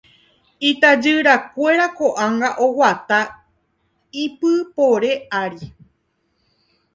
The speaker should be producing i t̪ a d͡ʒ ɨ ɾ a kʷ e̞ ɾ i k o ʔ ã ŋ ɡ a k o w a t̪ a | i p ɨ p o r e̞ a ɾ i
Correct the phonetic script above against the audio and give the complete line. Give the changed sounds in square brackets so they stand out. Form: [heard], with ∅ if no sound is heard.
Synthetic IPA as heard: i t̪ a d͡ʒ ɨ ɾ a kʷ e̞ ɾ [a] k o ʔ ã ŋ ɡ a [ʔ] o w a t̪ a | i p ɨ p o [ɾ] e̞ a ɾ i

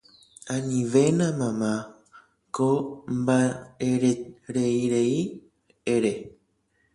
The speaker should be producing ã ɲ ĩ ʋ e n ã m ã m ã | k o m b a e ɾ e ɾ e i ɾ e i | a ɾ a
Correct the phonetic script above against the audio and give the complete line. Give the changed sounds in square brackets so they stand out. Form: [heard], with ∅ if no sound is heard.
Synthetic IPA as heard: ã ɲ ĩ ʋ e n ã m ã m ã | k o m b a e ɾ e ɾ e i ɾ e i | [e] ɾ [e]

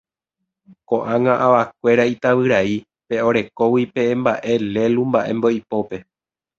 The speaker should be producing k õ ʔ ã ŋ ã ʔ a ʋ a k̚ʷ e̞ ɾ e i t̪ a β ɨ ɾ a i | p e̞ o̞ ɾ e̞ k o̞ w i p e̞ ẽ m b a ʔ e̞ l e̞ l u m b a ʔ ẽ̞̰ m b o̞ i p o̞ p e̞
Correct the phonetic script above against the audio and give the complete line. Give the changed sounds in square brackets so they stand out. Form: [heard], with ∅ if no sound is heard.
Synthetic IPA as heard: k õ ʔ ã ŋ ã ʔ a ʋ a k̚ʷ e̞ ɾ [a] i t̪ a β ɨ ɾ a i | p e̞ o̞ ɾ e̞ k o̞ w i p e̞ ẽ m b a ʔ e̞ l e̞ l u m b a ʔ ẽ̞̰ m b o̞ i p o̞ p e̞

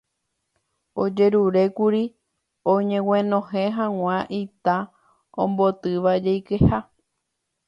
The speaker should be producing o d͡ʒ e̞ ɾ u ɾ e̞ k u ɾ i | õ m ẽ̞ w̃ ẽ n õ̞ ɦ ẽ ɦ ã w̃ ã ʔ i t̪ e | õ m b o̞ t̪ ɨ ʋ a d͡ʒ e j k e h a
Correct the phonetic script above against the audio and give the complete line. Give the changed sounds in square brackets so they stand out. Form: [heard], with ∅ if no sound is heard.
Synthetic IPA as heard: o d͡ʒ e̞ ɾ u ɾ e̞ k u ɾ i | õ [ɲ] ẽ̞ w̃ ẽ n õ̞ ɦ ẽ ɦ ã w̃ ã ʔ i t̪ [a] | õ m b o̞ t̪ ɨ ʋ a d͡ʒ e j k e h a

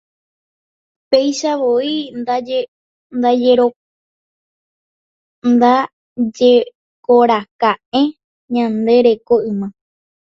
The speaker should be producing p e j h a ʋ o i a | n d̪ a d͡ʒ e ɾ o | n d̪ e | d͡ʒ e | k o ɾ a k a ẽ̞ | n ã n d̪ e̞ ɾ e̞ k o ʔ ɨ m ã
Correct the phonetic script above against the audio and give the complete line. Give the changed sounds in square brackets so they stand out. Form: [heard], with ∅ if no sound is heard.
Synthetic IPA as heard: p e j [ʃ] a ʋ o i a | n d̪ a d͡ʒ e ɾ o | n d̪ [a] | d͡ʒ e | k o ɾ a k a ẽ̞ | [ɲ] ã n d̪ e̞ ɾ e̞ k o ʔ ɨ m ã

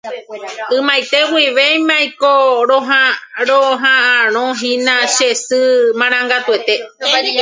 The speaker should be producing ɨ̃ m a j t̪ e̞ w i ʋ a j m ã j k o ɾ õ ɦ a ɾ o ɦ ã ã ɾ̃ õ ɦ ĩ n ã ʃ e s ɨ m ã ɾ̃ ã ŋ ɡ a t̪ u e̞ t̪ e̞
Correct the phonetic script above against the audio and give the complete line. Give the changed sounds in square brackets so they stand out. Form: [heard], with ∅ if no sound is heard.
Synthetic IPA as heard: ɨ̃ m a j t̪ e̞ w i ʋ [e] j m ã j k o ɾ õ ɦ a ɾ o ɦ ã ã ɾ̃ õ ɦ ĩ n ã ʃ e s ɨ m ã ɾ̃ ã ŋ ɡ a t̪ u e̞ t̪ e̞

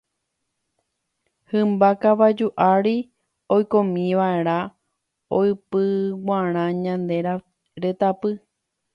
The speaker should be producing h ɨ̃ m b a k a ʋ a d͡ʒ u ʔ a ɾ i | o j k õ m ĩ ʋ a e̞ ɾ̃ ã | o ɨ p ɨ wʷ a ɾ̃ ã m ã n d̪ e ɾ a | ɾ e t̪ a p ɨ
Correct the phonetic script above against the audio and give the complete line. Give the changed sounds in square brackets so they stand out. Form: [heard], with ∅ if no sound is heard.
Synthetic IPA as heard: h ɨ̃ m b a k a ʋ a d͡ʒ u ʔ a ɾ i | o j k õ m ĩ ʋ a e̞ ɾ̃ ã | o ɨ p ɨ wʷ a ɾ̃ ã [ɲ] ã n d̪ e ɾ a | ɾ e t̪ a p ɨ

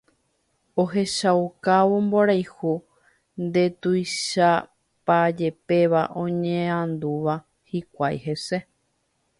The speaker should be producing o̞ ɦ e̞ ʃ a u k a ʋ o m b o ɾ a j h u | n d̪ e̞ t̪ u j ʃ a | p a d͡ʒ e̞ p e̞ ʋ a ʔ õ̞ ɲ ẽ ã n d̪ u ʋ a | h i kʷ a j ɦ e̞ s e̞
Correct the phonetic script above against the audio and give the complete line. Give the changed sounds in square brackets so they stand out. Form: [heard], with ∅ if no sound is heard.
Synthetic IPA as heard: o̞ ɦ e̞ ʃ a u k a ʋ o m b o ɾ a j h u | n d̪ e̞ t̪ u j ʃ a | p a d͡ʒ e̞ p e̞ ʋ a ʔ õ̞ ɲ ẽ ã n d̪ u ʋ a | h i kʷ a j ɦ e̞ s e̞

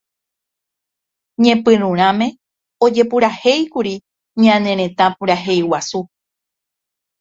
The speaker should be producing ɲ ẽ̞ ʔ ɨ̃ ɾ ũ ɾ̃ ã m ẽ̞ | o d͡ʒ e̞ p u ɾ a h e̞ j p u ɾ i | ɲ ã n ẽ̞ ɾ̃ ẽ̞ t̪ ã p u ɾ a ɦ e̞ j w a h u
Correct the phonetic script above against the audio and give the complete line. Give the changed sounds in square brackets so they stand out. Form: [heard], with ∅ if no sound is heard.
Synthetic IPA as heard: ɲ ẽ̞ [p] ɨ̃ ɾ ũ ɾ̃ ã m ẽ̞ | o d͡ʒ e̞ p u ɾ a h e̞ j [k] u ɾ i | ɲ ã n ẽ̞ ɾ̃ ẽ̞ t̪ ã p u ɾ a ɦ e̞ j w a [s] u

